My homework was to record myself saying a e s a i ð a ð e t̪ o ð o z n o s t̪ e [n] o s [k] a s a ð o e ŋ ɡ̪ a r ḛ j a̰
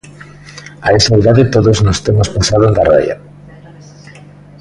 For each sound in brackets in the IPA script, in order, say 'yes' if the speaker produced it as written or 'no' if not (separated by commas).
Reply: no, no